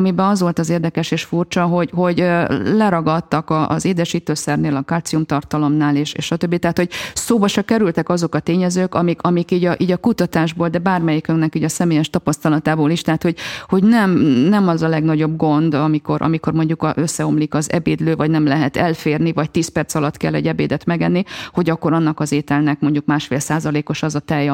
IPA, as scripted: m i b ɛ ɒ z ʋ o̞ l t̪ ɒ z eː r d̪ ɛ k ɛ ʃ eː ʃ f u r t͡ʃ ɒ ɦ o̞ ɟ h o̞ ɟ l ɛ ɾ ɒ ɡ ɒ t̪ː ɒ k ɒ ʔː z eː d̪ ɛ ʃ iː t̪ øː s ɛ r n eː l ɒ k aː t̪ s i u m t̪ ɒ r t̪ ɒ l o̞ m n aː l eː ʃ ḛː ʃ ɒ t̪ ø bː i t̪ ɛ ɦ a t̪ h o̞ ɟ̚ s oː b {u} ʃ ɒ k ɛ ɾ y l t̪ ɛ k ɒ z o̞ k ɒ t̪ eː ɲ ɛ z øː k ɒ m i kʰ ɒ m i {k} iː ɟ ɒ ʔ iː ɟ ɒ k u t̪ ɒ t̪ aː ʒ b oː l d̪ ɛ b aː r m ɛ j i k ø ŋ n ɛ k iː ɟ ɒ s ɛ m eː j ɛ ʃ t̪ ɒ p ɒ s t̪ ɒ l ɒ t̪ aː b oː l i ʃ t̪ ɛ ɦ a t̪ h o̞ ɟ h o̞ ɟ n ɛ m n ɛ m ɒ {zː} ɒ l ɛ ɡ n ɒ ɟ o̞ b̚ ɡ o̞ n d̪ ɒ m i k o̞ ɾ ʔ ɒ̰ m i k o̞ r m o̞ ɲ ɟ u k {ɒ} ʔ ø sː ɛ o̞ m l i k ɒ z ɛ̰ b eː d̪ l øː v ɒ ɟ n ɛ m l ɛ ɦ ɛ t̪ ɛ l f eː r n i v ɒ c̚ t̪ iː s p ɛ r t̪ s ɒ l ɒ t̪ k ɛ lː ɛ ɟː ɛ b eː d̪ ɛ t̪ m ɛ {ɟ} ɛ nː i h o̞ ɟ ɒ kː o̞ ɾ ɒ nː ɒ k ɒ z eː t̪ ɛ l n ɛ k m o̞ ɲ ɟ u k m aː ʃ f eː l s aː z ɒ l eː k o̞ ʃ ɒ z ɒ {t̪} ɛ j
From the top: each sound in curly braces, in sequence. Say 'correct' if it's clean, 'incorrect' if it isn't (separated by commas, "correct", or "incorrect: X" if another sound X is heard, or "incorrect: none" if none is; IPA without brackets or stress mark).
incorrect: ɒ, correct, incorrect: z, correct, incorrect: ɡ, correct